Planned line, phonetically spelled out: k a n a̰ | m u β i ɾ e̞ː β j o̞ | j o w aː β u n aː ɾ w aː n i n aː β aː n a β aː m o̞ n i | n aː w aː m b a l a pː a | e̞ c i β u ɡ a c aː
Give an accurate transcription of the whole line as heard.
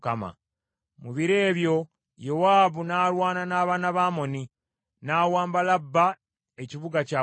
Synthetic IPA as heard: k a m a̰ | m u β i ɾ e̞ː β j o̞ | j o w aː β u n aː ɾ w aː n a n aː β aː n a β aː m o̞ n i | n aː w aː m b a l a bː a | e̞ c i β u ɡ a c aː